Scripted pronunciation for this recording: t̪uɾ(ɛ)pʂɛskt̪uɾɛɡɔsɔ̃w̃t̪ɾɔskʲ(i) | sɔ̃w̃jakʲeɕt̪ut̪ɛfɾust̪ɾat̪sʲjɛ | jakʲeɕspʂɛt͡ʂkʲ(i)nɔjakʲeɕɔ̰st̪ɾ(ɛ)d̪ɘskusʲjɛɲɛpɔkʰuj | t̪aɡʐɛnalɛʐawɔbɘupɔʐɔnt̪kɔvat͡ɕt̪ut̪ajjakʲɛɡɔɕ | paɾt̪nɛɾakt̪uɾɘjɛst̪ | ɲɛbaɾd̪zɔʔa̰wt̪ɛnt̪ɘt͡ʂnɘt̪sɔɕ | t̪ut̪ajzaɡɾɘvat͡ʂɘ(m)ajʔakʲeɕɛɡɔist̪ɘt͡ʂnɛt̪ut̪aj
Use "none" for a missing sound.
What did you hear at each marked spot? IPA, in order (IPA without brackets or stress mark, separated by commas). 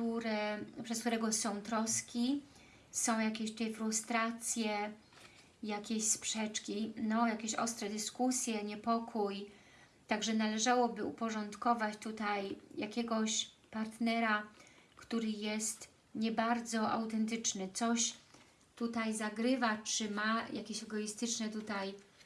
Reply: ɛ, i, i, ɛ, m